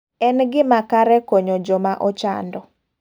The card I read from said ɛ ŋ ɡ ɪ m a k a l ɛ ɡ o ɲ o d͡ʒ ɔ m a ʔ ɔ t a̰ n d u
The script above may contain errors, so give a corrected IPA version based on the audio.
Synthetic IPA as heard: ɛ n ɡ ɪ m a k a ɾ ɛ k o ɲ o d͡ʒ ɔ m a ʔ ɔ t͡ʃ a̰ n d ɔ